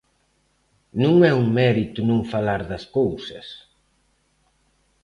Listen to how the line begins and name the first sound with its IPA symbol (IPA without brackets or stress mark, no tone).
n